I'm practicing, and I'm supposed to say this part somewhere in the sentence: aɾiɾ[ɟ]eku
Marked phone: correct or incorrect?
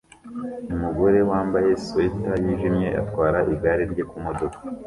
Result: correct